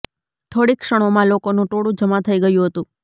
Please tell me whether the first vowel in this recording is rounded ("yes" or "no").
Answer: yes